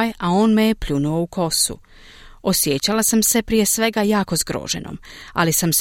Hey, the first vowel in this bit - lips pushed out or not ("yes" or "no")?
no